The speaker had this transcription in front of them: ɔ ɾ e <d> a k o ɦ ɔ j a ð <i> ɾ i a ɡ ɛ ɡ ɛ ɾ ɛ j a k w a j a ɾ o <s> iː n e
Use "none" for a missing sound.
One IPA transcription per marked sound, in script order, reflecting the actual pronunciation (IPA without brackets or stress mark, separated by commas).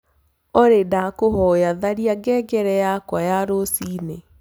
d, a, s